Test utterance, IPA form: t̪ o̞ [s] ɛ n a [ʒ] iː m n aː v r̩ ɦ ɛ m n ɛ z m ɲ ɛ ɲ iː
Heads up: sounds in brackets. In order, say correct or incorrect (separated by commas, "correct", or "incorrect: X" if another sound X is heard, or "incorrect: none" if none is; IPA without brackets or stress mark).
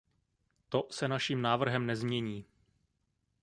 correct, incorrect: ʃ